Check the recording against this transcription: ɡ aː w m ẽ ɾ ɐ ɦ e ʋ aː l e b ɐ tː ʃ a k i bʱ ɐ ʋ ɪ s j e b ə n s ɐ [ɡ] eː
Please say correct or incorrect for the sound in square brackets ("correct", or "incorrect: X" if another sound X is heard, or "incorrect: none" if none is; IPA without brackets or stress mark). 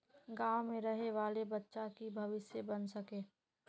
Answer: incorrect: k